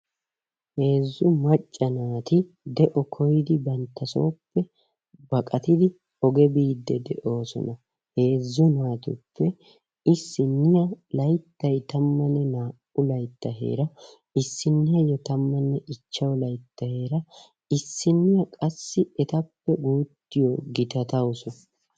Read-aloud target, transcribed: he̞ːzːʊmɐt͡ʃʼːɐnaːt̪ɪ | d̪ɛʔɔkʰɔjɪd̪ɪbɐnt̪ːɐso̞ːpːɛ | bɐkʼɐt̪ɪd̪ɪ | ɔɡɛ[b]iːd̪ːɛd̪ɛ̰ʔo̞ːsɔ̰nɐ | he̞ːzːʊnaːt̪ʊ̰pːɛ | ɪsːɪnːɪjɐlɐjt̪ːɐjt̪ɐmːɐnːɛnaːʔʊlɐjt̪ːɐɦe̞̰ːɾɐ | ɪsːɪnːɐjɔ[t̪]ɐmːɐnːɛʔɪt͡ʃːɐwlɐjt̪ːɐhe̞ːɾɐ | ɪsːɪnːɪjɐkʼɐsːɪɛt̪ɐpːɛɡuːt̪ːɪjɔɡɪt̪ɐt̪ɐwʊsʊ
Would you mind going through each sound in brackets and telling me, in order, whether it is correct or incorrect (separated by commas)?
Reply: correct, correct